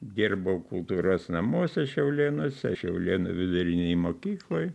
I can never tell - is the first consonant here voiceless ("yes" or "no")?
no